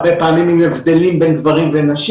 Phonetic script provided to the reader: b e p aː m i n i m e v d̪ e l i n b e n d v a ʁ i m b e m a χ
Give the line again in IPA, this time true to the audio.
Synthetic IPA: b e p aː m i m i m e v d̪ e l i m b e n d v a ʁ i m v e n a ʃ

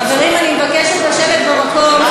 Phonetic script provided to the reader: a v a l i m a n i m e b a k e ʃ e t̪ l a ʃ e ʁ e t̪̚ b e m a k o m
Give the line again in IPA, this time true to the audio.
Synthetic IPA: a v a l i m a n i m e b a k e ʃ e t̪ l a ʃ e v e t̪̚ b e m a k o m

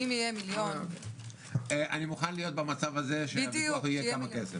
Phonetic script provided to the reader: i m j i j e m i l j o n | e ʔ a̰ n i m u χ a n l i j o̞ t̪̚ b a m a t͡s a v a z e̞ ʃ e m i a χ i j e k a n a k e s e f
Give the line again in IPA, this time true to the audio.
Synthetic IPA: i m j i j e m i l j o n | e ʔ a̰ n i m u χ a n l i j o̞ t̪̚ b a m a t͡s a v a z e̞ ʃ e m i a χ i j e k a m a k e s e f

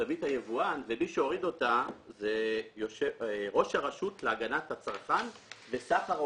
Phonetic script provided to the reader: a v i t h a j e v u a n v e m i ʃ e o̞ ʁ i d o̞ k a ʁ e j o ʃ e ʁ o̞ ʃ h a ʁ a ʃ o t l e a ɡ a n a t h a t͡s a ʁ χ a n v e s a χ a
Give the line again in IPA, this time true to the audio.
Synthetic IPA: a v i t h a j e v u a n v e m i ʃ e o̞ ʁ i d o̞ t a z e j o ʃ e ʁ o̞ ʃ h a ʁ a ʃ u t l e a ɡ a n a t h a t͡s a ʁ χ a n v e s a χ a

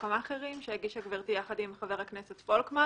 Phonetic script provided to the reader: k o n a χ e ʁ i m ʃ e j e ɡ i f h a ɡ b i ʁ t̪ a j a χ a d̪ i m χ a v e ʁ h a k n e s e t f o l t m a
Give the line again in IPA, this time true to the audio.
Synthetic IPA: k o m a χ e ʁ i m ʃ e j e ɡ i ʃ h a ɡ v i ʁ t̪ i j a χ a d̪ i m χ a v e ʁ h a k n e s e t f o l k m a

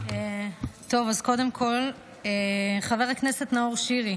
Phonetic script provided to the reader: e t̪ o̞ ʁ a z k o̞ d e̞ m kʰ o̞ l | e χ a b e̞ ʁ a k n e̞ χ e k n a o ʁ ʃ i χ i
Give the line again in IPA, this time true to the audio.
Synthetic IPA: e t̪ o̞ v a z k o̞ d e̞ m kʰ o̞ l | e χ a v e̞ ʁ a k n e̞ s e t n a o ʁ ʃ i ʁ i

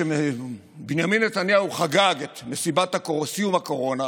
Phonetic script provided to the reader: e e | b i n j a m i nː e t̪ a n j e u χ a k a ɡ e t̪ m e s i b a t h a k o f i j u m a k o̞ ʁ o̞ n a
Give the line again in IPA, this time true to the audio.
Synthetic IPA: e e | b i n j a m i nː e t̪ a n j a u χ a ɡ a ɡ e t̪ m e s i b a t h a k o s i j u m a k o̞ ʁ o̞ n a

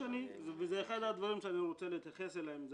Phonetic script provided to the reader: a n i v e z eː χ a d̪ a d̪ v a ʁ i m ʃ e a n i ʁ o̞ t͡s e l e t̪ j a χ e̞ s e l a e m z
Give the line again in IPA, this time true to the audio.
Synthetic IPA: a n i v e z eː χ a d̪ a d̪ v a ʁ i m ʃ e a n i ʁ o̞ t͡s e l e t̪ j a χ e̞ s e l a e m z

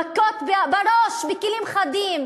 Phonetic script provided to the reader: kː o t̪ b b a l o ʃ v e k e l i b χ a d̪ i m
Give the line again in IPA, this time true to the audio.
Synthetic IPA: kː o t̪ b b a ɾ o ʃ b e k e l i m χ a d̪ i m

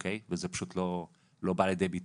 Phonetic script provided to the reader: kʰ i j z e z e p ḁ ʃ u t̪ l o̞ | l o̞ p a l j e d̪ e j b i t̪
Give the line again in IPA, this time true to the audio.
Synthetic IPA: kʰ e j v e z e p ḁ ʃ u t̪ l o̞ | l o̞ b a l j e d̪ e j b i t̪

